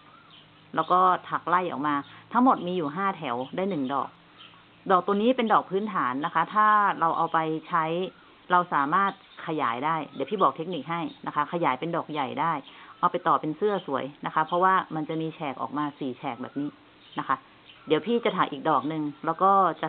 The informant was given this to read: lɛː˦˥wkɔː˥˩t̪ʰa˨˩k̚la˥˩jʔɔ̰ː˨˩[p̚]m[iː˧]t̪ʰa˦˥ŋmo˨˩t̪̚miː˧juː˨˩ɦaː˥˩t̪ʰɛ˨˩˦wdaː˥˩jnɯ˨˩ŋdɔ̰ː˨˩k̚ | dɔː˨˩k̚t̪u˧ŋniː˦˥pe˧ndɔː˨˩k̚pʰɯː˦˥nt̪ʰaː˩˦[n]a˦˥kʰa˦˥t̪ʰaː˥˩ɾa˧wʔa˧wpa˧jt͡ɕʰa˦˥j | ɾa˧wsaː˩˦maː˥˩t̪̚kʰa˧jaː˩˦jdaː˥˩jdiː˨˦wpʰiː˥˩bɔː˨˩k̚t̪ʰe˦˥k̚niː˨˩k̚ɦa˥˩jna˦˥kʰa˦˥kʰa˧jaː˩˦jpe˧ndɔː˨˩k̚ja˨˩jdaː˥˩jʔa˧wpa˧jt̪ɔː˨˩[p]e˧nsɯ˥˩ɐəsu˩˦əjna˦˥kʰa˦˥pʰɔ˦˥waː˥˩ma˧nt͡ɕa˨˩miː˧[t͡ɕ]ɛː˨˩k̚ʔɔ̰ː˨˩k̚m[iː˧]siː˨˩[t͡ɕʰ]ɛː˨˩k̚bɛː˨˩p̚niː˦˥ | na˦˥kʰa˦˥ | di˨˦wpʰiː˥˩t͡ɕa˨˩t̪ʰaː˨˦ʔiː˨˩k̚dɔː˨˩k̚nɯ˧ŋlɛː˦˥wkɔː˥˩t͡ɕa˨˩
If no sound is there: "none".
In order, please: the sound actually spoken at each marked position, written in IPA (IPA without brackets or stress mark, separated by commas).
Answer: k̚, aː˧, nː, p, t͡ɕʰ, aː˧, t͡ɕʰ